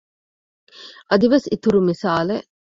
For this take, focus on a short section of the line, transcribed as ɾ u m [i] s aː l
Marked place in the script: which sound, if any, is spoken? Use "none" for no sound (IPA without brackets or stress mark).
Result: i